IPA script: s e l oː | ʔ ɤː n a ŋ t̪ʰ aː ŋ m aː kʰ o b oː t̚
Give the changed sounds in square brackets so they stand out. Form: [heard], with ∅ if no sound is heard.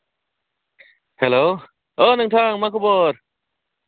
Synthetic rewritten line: [h] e l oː | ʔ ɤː n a ŋ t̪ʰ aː ŋ m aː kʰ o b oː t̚